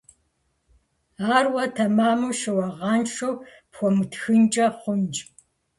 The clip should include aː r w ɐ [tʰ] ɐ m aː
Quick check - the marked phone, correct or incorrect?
correct